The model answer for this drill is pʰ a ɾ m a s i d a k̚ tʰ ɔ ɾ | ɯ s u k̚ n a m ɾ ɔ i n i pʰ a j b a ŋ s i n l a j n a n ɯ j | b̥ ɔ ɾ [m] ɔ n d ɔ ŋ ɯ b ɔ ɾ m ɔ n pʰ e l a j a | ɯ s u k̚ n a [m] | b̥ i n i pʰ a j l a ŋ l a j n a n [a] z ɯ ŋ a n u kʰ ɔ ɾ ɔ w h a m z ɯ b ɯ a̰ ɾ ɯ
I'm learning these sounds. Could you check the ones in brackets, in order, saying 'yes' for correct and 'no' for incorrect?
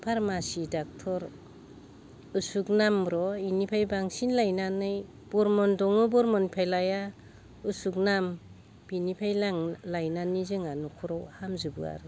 yes, yes, no

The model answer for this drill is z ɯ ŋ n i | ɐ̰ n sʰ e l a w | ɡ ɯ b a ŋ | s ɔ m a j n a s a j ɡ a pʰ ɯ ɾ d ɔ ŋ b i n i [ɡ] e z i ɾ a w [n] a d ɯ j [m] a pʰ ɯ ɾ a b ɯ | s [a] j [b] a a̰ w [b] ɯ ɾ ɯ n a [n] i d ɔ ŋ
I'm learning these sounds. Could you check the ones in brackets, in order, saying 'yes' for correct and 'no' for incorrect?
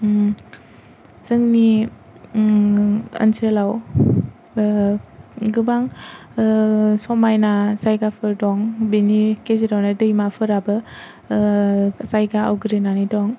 no, yes, yes, yes, no, no, yes

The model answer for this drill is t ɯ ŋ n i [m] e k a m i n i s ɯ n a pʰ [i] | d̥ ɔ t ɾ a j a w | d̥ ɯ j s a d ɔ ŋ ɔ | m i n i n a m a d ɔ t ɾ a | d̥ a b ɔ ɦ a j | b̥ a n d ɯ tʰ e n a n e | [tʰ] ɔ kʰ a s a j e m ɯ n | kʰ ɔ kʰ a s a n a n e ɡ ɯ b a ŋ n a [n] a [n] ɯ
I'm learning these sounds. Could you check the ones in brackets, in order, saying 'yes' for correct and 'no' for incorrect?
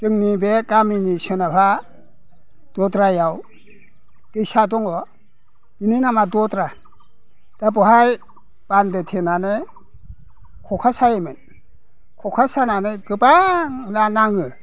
no, no, no, yes, no

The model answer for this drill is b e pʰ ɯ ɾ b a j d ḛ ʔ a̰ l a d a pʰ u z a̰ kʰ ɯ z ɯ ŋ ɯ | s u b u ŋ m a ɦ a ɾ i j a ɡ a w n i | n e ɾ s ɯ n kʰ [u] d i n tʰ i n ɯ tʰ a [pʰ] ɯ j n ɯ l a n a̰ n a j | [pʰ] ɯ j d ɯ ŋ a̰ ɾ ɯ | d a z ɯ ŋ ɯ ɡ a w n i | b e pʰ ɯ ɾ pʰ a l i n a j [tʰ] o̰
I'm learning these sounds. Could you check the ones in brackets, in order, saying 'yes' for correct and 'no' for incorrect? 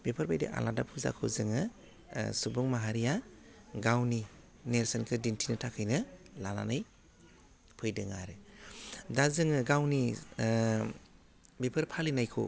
no, no, yes, no

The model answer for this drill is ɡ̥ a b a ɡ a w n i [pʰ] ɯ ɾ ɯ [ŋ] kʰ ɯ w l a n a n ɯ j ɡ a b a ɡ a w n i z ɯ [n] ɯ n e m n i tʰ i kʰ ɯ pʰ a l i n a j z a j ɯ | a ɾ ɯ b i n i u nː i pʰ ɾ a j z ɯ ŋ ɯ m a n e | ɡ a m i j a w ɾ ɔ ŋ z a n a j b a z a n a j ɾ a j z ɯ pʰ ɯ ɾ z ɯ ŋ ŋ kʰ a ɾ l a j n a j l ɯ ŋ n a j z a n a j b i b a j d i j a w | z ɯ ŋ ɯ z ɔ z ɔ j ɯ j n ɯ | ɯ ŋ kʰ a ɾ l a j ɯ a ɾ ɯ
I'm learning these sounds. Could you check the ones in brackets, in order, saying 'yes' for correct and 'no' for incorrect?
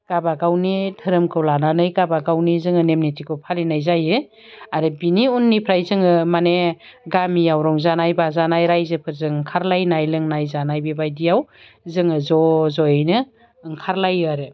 no, no, no

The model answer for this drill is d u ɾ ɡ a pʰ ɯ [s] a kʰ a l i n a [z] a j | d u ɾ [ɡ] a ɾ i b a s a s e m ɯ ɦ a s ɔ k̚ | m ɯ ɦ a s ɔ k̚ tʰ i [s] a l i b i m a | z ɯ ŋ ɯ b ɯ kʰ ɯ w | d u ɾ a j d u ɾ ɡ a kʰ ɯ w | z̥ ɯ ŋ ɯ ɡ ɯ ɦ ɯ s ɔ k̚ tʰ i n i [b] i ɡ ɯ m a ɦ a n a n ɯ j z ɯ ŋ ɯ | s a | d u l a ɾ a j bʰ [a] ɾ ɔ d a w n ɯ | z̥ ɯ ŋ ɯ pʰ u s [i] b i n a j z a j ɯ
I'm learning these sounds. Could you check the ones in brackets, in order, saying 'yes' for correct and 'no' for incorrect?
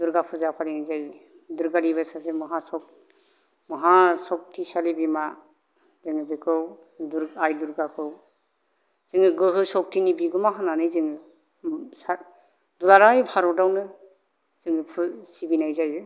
no, yes, yes, yes, yes, yes, yes

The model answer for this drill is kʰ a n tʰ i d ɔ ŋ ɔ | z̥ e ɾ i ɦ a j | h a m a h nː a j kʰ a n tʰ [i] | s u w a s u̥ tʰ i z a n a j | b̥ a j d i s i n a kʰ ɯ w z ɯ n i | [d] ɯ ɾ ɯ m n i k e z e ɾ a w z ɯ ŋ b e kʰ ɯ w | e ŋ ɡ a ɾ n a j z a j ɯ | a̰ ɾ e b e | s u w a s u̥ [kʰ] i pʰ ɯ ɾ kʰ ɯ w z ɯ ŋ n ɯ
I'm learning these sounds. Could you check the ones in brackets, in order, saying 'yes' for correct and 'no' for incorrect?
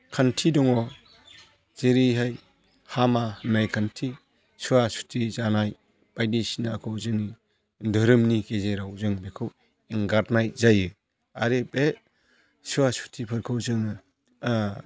yes, yes, no

